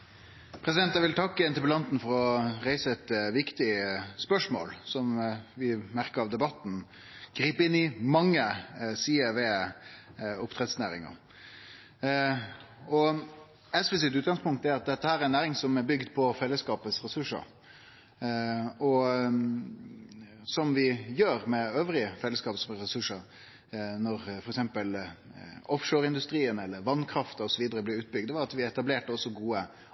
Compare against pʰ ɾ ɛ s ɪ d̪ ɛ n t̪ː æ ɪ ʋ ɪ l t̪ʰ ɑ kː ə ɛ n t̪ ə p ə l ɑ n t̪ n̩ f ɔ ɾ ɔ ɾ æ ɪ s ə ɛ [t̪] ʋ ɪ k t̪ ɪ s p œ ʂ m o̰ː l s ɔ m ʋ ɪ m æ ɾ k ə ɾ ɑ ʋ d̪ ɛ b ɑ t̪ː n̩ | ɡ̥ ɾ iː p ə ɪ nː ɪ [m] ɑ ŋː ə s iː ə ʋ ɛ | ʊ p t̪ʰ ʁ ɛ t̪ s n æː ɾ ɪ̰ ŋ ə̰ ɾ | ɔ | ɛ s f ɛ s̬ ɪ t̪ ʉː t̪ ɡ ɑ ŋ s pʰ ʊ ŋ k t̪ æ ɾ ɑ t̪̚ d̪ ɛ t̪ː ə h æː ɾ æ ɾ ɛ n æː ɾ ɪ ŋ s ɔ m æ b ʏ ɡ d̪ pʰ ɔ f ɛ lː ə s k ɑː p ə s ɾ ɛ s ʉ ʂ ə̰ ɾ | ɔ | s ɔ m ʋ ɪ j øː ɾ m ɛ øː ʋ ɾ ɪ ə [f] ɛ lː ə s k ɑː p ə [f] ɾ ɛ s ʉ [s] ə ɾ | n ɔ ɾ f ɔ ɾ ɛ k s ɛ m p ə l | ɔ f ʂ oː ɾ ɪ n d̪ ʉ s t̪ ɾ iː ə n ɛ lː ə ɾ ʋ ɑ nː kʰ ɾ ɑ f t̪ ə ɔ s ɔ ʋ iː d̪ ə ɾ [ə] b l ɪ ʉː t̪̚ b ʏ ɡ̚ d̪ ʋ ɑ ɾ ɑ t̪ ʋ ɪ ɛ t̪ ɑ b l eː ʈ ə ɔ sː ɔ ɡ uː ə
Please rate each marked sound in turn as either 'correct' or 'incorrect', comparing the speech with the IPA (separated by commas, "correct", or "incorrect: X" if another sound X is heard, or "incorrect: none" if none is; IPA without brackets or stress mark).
correct, correct, correct, incorrect: s, incorrect: ʂ, correct